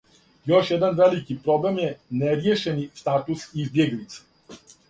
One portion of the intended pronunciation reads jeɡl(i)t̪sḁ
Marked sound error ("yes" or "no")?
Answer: no